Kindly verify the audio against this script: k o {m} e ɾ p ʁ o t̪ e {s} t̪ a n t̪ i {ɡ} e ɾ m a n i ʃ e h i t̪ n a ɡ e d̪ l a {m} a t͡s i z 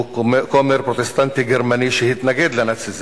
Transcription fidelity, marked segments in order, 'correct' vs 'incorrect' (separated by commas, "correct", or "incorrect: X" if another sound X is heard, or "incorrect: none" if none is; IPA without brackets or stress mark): correct, correct, correct, incorrect: n